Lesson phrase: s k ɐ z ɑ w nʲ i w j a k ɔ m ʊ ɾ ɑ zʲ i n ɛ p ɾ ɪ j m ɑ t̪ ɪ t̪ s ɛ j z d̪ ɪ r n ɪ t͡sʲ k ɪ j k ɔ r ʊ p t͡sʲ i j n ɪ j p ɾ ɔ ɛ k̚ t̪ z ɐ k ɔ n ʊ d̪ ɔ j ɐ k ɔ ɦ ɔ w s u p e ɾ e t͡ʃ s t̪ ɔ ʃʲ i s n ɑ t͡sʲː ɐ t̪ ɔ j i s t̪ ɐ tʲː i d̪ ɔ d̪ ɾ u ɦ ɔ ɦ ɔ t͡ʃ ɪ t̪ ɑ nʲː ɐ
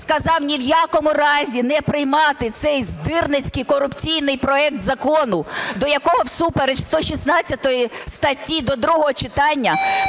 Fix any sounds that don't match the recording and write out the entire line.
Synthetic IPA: s k ɐ z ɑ w nʲ i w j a k ɔ m ʊ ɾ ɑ zʲ i n ɛ p ɾ ɪ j m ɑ t̪ ɪ t̪ s ɛ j z d̪ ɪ r n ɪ t͡sʲ k ɪ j k ɔ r ʊ p t͡sʲ i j n ɪ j p ɾ ɔ ɛ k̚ t̪ z ɐ k ɔ n ʊ d̪ ɔ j ɐ k ɔ ɦ ɔ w s u p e ɾ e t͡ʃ s t̪ ɔ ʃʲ i s n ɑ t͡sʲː ɐ t̪ ɔ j i s t̪ ɐ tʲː i d̪ ɔ d̪ ɾ u ɦ ɔ ɦ ɔ t͡ʃ ɪ t̪ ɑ nʲː ɐ